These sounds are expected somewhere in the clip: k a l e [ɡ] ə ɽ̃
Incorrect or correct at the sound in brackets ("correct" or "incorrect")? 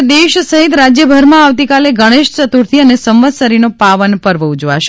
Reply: correct